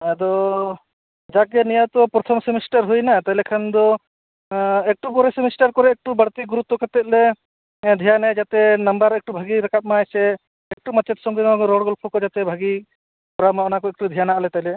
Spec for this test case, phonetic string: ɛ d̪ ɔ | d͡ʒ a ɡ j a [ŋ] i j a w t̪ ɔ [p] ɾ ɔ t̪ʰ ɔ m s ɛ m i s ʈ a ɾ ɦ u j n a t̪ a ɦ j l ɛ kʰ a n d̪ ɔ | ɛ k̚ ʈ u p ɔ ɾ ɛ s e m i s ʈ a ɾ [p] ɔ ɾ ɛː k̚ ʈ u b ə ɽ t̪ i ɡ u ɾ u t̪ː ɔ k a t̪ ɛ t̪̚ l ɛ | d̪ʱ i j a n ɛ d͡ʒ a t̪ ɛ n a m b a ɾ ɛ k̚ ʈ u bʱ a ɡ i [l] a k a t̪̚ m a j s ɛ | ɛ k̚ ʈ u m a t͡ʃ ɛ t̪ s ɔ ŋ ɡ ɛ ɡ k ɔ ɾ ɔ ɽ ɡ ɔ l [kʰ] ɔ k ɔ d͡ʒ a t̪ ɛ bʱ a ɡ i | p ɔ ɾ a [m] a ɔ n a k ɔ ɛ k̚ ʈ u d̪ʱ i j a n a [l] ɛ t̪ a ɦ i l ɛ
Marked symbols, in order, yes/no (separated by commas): no, yes, no, no, no, yes, yes